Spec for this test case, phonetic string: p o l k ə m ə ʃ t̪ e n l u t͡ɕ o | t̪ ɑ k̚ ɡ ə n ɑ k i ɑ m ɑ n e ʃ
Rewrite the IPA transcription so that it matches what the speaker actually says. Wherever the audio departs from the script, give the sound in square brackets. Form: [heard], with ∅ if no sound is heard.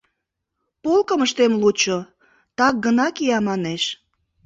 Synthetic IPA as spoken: p o l k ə m ə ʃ t̪ e [m] l u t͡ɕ o | t̪ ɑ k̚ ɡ ə n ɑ k i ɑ m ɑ n e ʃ